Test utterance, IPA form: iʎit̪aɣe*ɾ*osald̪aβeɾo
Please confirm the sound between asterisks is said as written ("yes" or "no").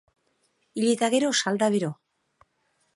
yes